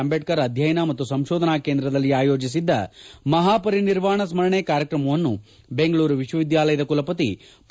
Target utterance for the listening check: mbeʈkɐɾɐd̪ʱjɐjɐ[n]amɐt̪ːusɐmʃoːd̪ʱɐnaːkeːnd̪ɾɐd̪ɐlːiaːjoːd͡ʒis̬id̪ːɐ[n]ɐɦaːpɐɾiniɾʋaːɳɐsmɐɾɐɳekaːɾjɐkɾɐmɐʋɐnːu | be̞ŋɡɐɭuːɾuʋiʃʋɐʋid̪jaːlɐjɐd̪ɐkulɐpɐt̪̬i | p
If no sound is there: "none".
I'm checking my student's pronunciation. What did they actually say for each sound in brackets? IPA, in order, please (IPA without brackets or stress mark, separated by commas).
n, m